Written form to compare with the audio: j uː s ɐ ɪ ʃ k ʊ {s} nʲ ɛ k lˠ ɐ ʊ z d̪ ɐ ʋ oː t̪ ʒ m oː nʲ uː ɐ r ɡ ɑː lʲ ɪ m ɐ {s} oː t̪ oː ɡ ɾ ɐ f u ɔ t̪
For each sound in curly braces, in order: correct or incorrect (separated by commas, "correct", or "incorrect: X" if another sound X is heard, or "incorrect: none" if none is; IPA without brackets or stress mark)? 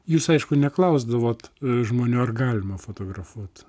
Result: incorrect: none, incorrect: f